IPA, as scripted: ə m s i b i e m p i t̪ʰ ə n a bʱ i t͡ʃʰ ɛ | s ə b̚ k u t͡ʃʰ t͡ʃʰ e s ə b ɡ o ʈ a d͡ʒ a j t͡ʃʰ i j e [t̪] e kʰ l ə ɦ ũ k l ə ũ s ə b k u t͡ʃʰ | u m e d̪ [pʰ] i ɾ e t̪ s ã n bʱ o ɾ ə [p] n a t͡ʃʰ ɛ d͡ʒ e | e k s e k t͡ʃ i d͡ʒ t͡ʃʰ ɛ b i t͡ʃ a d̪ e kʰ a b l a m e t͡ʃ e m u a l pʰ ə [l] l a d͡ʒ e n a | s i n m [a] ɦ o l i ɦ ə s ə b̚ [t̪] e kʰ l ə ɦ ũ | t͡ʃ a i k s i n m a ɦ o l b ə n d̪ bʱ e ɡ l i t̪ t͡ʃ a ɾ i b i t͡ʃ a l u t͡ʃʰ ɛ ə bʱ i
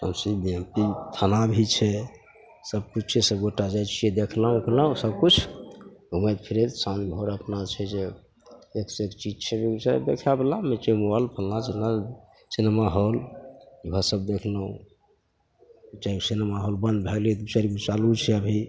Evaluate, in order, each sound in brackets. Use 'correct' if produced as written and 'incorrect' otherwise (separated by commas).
incorrect, correct, correct, correct, correct, incorrect